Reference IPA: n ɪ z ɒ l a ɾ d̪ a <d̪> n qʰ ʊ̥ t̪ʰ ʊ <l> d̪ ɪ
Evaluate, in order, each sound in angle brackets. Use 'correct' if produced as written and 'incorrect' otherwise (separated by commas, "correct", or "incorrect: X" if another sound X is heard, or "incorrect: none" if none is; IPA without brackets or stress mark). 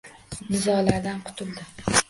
incorrect: none, correct